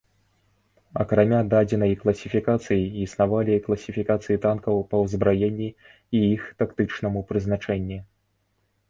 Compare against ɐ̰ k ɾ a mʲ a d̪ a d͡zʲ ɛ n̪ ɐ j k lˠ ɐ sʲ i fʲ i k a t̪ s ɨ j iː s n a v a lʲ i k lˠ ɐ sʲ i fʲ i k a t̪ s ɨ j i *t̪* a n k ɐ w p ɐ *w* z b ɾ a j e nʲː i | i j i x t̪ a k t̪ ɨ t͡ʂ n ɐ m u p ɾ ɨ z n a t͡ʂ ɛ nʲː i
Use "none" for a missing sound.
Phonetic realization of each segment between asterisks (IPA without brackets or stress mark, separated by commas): t̪, w